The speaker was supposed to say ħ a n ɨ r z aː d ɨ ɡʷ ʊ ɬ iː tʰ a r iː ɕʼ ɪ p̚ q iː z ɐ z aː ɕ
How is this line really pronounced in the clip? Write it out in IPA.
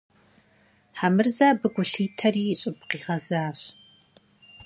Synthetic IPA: ħ a m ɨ r z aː b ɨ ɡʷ ʊ ɬ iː tʰ ɐ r iː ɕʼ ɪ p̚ q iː ʁ ɐ z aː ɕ

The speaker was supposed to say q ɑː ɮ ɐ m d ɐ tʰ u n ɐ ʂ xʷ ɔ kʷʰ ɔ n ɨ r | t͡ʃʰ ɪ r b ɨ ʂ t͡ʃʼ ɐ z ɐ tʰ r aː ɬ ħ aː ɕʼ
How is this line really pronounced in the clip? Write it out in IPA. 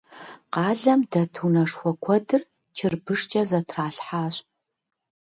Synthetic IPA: q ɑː ɮ ɐ m d ɐ tʰ u n ɐ ʂ xʷ ɔ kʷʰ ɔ d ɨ r | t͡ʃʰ ɪ r b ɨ ʂ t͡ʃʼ ɐ z ɐ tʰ r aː ɬ ħ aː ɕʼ

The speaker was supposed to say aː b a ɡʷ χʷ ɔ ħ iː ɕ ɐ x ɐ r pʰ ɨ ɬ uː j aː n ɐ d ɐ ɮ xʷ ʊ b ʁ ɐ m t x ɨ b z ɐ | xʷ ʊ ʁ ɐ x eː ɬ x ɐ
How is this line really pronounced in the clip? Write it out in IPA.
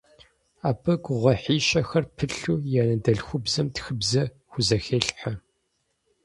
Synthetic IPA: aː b ɐ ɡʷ ʁʷ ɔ ħ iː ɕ ɐ x ɐ r pʰ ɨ ɬ uː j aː n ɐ d ɐ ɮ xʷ ʊ b z ɐ m t x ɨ b z ɐ | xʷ ʊ z ɐ x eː ɬ ħ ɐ

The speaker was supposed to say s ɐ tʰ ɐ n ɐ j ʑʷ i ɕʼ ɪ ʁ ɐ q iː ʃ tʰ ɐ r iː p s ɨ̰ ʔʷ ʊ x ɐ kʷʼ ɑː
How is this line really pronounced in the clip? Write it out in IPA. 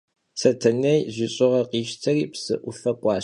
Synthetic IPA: s ɐ tʰ ɐ n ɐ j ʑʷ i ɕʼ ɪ ʁ ɐ q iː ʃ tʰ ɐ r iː p s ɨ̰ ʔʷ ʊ f ɐ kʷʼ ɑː

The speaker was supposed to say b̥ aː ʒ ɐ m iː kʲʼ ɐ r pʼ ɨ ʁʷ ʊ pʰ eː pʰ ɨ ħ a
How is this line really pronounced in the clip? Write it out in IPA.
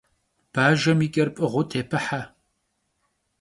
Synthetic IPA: b̥ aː ʒ ɐ m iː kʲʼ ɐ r pʼ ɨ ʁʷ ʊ tʰ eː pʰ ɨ ħ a

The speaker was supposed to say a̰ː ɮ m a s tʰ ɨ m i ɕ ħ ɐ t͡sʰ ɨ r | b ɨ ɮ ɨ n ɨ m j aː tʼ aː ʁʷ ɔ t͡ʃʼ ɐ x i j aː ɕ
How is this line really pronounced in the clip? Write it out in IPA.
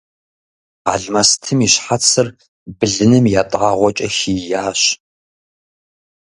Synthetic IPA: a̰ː ɮ m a s tʰ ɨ m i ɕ ħ a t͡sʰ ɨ r | b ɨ ɮ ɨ n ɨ m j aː tʼ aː ʁʷ ɔ t͡ʃʼ ɐ x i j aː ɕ

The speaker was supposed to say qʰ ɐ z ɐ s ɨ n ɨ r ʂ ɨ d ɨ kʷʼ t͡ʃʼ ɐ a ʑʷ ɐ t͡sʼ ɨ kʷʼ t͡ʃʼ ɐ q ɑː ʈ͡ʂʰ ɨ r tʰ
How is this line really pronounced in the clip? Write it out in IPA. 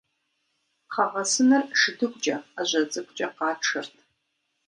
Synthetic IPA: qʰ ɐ ʁ ɐ s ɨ n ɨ r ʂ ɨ d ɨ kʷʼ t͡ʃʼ ɐ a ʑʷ ɐ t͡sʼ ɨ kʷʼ t͡ʃʼ ɐ q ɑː ʈ͡ʂʰ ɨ r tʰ

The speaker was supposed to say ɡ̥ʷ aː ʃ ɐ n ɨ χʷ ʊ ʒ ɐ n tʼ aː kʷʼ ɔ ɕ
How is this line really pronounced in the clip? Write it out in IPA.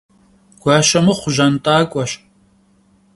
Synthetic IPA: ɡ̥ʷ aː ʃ ɐ m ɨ χʷ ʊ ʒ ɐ n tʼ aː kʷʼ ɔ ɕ

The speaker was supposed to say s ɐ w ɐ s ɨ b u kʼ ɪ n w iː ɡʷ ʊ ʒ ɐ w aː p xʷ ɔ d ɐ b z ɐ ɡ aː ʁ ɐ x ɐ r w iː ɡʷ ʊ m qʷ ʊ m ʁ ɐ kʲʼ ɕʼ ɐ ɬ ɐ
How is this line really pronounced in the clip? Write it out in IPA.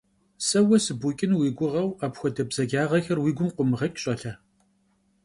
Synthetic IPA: s ɐ w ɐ s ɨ b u kʼ ɪ n w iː ɡʷ ʊ ʁ ɐ w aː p xʷ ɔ d ɐ b z ɐ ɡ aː ʁ ɐ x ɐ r w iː ɡʷ ʊ m qʷ ʊ m ʁ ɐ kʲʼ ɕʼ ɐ ɬ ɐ

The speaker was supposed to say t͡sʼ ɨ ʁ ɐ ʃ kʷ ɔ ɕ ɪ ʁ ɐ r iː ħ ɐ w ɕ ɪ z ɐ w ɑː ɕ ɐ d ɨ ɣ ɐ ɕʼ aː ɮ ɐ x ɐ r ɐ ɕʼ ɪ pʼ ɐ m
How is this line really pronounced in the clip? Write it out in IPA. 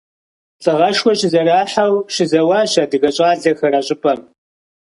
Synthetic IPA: t͡sʼ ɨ ʁ ɐ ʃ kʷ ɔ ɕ ɪ z ɐ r aː ħ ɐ w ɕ ɪ z ɐ w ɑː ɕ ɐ d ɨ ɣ ɐ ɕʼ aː ɮ ɐ x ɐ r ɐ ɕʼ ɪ pʼ ɐ m

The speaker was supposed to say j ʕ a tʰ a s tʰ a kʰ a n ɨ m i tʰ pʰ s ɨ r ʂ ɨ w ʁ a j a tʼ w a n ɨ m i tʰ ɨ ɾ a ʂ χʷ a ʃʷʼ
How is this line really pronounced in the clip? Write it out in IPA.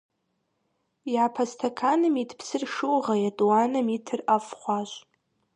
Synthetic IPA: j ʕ a pʰ a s tʰ a kʰ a n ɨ m i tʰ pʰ s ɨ r ʂ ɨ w ʁ a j a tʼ w a n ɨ m i tʰ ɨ r a f χʷ a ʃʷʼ

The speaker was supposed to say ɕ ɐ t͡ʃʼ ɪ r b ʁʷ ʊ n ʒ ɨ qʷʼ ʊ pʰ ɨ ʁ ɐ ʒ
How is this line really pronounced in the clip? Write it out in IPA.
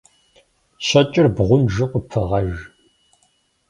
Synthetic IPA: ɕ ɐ t͡ʃʼ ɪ r b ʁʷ ʊ n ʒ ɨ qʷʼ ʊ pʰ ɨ ʁ ɐ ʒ

